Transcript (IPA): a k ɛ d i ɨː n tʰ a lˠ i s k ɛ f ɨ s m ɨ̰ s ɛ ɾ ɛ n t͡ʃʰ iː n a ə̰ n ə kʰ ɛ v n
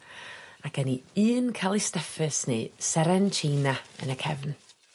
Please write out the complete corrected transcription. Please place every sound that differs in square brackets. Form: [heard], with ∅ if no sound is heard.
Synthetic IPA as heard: a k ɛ [n] i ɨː n [kʰ] a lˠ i s [t] ɛ f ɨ s [n] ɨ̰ s ɛ ɾ ɛ n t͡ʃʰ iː n a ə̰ n ə kʰ ɛ v n